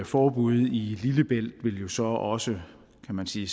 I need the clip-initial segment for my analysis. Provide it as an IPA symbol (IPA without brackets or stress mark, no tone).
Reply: f